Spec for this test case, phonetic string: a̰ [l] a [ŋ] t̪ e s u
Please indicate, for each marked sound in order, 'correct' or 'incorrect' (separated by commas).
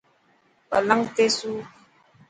correct, correct